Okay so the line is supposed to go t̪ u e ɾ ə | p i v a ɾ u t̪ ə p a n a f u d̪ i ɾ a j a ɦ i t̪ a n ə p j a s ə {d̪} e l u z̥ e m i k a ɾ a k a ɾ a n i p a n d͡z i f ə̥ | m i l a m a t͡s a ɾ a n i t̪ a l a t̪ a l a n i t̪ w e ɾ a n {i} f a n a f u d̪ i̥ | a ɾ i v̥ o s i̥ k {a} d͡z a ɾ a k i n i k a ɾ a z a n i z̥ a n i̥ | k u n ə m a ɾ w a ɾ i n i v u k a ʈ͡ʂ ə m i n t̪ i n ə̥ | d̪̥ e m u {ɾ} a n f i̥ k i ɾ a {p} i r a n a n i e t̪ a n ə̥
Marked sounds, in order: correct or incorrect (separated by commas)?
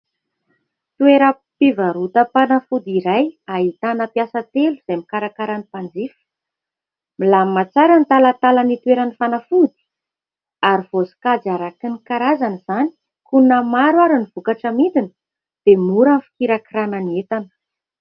incorrect, correct, correct, correct, incorrect